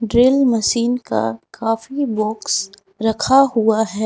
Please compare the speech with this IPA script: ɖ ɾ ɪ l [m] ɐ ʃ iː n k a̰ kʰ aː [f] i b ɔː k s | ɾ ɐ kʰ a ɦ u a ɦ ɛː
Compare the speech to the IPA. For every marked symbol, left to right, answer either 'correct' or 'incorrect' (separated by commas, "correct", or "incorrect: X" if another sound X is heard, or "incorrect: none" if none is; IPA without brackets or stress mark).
correct, correct